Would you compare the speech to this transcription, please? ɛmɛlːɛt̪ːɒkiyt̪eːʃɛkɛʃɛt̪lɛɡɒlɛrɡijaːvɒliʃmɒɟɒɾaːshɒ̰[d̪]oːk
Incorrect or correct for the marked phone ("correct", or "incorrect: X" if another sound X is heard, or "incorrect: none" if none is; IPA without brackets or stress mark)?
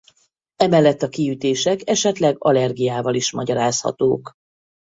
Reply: incorrect: t̪